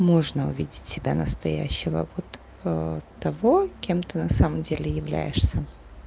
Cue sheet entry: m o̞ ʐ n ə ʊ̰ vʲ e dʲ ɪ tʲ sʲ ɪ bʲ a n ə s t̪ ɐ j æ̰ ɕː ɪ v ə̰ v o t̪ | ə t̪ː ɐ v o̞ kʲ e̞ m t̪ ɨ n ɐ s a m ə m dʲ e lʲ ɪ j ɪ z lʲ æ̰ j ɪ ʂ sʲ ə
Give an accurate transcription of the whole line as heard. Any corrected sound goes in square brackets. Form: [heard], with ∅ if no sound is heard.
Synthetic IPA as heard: m o̞ ʐ n ə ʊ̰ vʲ [i] dʲ ɪ tʲ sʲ ɪ bʲ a n ə s t̪ ɐ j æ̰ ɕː ɪ v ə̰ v o t̪ | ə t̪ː ɐ v o̞ kʲ e̞ m t̪ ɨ n ɐ s a m ə m dʲ e lʲ ɪ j ɪ [v] lʲ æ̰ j ɪ ʂ sʲ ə